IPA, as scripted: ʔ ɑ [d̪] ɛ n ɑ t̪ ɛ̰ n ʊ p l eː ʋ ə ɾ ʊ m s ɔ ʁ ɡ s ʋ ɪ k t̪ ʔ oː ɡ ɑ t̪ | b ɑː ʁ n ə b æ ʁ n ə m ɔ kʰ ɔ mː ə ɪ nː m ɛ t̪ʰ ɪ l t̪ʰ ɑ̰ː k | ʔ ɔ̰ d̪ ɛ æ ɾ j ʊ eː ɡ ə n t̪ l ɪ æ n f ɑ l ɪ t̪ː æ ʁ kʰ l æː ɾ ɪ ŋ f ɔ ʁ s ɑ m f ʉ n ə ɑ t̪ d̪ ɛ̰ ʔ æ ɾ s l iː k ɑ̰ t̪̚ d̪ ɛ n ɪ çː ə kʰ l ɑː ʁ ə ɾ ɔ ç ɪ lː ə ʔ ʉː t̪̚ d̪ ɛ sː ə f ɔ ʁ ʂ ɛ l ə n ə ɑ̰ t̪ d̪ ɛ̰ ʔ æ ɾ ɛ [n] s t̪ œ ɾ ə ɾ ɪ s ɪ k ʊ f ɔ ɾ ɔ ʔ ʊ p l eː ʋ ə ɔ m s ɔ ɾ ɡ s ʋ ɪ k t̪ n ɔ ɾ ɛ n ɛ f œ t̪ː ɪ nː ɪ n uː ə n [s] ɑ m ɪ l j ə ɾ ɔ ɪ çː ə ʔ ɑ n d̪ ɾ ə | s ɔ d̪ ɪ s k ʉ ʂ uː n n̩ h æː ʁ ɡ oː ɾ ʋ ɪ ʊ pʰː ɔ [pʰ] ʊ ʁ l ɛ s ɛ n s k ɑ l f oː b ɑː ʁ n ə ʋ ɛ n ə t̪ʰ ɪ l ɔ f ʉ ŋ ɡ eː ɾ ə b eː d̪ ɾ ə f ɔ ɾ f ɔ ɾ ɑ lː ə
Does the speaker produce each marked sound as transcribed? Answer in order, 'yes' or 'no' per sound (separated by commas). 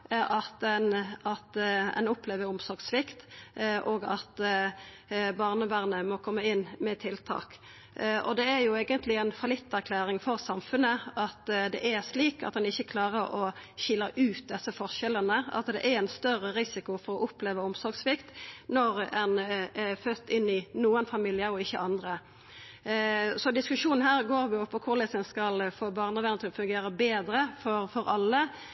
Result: no, yes, no, no